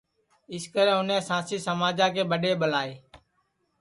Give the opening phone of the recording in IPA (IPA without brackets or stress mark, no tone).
ɪ